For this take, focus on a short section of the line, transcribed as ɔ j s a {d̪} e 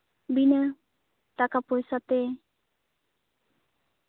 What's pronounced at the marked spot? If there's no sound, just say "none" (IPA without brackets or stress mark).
t̪